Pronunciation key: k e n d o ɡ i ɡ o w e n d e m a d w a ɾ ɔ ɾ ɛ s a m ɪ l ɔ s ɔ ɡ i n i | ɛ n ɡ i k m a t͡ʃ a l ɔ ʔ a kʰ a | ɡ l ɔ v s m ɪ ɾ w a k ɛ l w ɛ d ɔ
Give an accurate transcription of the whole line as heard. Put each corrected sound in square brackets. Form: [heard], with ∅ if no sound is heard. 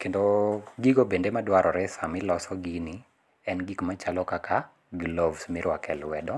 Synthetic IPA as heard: k e n d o ɡ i ɡ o [b] e n d e m a d w a ɾ ɔ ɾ ɛ s a m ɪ l ɔ s ɔ ɡ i n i | ɛ n ɡ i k m a t͡ʃ a l ɔ [k] a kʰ a | ɡ l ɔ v s m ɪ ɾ w a k ɛ l w ɛ d ɔ